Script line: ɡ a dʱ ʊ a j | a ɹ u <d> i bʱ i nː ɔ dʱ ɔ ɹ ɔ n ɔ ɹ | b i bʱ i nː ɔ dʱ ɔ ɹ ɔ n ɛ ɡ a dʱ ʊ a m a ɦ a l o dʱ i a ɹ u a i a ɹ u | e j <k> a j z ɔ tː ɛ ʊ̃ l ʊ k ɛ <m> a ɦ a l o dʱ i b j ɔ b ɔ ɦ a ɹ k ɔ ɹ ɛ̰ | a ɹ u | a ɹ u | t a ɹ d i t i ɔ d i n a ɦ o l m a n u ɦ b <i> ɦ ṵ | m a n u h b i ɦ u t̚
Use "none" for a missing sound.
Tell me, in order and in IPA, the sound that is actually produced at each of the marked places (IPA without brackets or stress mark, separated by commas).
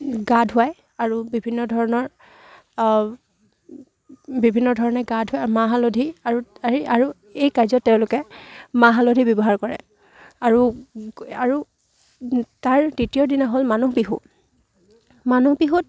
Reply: b, k, m, i